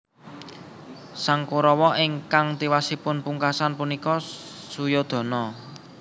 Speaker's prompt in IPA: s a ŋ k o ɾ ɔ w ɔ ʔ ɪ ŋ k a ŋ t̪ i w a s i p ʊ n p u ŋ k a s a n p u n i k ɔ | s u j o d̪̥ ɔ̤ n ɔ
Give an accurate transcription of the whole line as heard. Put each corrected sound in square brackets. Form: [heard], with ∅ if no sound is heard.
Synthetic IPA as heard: s a ŋ k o ɾ ɔ w ɔ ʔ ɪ ŋ k a ŋ t̪ i w a s i p ʊ n p u ŋ k a s a n p u n i k ɔ | s u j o d̪̥ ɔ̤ n ɔ